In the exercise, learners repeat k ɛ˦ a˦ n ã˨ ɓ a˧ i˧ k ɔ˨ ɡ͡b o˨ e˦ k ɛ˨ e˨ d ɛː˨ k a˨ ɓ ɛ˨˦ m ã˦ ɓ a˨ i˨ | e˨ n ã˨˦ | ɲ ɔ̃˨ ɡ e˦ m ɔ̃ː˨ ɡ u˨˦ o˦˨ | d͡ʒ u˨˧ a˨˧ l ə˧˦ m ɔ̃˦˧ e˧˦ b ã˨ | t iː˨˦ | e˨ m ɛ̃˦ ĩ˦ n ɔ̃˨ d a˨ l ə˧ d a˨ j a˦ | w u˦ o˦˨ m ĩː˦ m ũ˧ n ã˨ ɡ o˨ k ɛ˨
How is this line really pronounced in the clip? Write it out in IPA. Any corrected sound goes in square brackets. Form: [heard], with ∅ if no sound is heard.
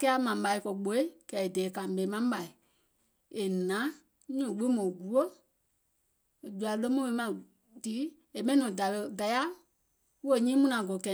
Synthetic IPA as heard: k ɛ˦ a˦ [m] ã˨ ɓ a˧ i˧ k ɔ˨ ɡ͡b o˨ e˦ k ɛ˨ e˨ d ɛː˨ k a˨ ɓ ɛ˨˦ m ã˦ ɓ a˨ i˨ | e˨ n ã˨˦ | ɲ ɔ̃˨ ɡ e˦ m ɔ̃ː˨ ɡ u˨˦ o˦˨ | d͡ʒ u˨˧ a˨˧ l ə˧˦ m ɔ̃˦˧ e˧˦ [m] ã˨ | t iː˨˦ | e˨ m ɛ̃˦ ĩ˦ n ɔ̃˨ d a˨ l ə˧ d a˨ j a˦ | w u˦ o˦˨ [ɲ] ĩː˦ m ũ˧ n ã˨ ɡ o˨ k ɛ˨